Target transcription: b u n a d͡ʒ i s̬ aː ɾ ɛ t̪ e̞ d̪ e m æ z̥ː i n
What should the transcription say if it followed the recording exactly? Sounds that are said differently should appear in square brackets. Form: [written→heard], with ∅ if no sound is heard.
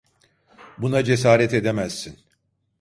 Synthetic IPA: b u n a d͡ʒ [i→e] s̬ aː ɾ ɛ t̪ e̞ d̪ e m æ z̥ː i n